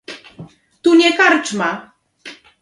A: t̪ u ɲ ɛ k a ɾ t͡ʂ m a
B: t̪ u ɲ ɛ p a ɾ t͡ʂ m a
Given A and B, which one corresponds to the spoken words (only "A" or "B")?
A